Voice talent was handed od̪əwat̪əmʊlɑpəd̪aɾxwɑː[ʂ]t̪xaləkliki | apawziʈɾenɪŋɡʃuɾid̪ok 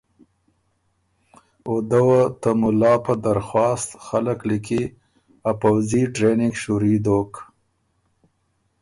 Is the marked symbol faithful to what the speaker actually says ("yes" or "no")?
no